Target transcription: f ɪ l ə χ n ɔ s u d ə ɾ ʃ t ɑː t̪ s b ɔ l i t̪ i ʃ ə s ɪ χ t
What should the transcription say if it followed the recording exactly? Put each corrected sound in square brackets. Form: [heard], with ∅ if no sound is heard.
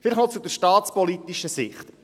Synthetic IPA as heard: f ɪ l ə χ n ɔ [t͡s] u d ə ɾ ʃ t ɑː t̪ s [p] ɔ l i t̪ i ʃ ə s ɪ χ t